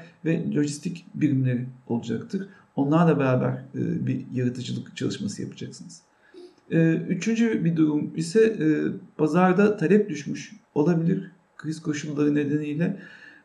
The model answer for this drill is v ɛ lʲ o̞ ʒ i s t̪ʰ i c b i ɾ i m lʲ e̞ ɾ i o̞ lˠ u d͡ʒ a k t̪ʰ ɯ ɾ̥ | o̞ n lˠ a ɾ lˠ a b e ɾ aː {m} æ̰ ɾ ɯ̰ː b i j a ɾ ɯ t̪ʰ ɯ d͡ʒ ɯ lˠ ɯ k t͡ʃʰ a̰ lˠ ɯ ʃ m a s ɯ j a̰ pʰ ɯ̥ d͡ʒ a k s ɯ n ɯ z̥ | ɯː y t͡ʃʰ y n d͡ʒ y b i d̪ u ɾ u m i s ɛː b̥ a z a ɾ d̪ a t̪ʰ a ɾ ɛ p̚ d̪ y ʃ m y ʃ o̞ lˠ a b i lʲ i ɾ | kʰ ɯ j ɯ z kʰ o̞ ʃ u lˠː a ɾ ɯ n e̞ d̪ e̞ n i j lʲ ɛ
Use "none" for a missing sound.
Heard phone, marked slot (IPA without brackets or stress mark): b